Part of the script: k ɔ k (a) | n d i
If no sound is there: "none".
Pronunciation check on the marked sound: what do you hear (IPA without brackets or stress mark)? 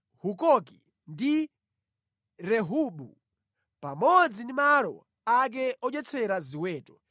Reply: i